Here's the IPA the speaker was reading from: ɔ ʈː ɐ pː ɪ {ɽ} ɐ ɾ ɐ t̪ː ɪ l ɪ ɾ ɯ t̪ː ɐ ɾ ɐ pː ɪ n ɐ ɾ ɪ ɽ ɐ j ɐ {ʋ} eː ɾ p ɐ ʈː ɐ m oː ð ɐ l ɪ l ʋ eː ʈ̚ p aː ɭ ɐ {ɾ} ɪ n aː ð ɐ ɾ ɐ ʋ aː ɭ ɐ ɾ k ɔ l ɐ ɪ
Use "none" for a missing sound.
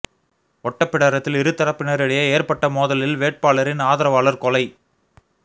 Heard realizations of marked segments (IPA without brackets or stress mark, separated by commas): ɽ, none, ɾ